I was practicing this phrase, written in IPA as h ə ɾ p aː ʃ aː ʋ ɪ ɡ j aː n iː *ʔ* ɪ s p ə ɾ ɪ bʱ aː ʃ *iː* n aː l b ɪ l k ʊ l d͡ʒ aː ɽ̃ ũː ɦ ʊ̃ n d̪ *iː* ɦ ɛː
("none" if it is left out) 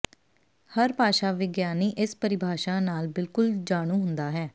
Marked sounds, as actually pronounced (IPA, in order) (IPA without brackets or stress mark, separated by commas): ʔ, aː, aː